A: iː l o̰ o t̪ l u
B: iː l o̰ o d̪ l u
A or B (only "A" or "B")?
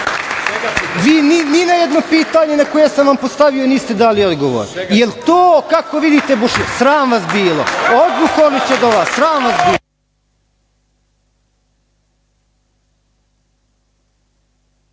B